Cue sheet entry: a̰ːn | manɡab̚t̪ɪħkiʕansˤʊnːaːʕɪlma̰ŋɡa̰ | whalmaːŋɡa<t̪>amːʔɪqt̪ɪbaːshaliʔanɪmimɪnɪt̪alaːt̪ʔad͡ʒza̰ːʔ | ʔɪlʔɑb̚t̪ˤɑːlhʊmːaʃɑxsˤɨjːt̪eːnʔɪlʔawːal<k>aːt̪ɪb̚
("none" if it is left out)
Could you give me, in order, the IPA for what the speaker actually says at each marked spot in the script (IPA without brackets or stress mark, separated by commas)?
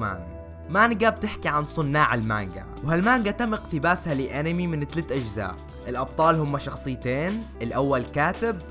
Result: t̪, k